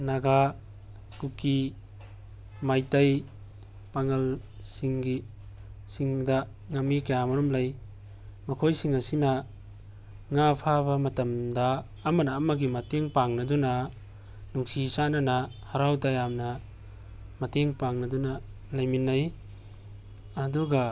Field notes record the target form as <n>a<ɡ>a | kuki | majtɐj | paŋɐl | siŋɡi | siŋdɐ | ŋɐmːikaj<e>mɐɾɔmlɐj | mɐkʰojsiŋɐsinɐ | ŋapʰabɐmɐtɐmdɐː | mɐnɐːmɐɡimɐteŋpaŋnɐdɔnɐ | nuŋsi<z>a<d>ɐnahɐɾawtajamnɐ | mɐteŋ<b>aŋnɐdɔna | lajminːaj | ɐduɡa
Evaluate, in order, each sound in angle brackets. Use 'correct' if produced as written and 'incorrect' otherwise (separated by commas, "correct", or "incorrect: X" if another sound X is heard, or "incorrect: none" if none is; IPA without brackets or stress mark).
correct, correct, incorrect: a, incorrect: s, incorrect: n, incorrect: p